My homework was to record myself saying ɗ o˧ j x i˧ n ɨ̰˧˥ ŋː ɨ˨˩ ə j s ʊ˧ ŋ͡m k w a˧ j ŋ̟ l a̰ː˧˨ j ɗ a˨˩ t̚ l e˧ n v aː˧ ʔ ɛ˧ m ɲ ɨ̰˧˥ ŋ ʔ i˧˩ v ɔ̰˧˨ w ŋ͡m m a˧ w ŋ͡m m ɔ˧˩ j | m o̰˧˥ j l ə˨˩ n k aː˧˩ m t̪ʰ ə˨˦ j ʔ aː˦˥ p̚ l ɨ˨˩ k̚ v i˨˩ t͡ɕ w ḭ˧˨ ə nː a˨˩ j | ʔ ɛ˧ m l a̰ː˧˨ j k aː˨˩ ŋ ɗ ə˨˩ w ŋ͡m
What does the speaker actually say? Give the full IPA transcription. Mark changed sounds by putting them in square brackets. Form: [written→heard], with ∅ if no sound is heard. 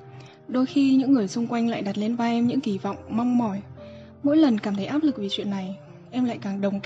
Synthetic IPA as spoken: ɗ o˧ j x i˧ [n→ɲ] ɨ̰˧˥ ŋː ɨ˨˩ ə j s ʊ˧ ŋ͡m k w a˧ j ŋ̟ l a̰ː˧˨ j ɗ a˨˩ t̚ l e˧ n v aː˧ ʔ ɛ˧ m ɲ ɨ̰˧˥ ŋ [ʔ→k] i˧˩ v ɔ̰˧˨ w ŋ͡m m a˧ w ŋ͡m m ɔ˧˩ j | m o̰˧˥ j l ə˨˩ n k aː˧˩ m t̪ʰ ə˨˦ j ʔ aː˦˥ p̚ l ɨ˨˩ k̚ v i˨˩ t͡ɕ w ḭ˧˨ ə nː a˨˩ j | ʔ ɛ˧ m l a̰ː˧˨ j k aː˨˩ ŋ ɗ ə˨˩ w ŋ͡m